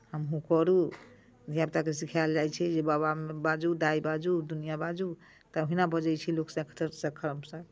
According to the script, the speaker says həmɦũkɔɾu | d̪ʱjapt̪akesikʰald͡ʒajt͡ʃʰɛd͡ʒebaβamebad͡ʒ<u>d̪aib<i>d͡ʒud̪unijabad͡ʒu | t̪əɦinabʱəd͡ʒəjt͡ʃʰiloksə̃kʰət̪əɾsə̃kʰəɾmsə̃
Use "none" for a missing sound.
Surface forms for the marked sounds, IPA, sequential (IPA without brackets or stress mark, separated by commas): u, a